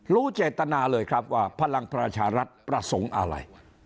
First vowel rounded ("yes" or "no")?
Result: yes